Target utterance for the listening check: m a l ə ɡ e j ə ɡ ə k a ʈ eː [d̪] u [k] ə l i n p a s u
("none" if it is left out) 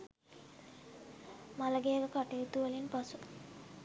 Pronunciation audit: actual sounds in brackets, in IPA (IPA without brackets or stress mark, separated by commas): t̪, none